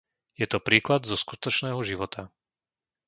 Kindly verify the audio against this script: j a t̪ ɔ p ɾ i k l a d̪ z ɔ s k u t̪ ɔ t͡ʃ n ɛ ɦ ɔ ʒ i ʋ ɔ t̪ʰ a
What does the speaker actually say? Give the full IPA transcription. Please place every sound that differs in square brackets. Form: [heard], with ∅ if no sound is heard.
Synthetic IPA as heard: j [ɛ] t̪ ɔ p ɾ [iː] k l a d̪ z ɔ s k u t̪ ɔ t͡ʃ n [ɛː] ɦ ɔ ʒ i ʋ ɔ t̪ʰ a